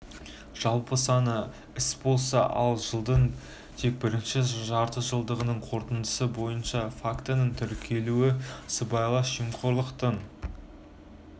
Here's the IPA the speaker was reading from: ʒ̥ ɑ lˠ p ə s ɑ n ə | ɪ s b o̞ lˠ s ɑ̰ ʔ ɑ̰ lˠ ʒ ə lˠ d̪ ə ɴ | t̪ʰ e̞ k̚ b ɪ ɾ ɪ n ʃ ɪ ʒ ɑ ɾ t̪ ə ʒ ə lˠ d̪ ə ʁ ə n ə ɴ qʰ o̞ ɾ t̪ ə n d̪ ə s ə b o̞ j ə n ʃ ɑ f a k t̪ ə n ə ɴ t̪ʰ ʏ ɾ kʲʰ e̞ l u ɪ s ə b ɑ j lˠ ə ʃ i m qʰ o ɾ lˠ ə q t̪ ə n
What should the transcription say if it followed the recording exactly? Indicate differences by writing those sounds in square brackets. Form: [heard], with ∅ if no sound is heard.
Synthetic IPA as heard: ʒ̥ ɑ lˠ p ə s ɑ n ə | ɪ s b o̞ lˠ s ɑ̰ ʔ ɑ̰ lˠ ʒ ə lˠ d̪ ə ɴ | t̪ʰ e̞ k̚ b ɪ ɾ ɪ n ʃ ɪ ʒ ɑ ɾ t̪ ə ʒ ə lˠ d̪ ə ʁ ə n ə ɴ qʰ o̞ ɾ t̪ ə n d̪ ə s ə b o̞ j ə n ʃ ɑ f a k t̪ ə n ə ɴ t̪ʰ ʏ ɾ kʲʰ e̞ l u ɪ s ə b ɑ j lˠ [ɑ] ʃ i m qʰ o ɾ lˠ ə q t̪ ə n